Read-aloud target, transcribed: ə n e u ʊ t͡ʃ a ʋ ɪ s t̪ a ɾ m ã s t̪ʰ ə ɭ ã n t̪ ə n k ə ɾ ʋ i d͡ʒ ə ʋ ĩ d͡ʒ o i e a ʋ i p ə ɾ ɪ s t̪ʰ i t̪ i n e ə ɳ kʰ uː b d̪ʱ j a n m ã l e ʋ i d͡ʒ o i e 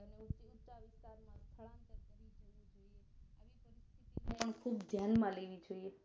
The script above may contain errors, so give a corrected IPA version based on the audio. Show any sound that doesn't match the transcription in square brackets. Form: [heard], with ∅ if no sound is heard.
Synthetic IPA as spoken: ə n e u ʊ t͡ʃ a ʋ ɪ s t̪ a ɾ m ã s t̪ʰ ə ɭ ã n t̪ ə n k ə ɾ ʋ i d͡ʒ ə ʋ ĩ d͡ʒ o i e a ʋ i p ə ɾ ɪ s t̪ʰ i t̪ i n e ə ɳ kʰ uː b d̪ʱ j a n m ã l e ʋ i d͡ʒ o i e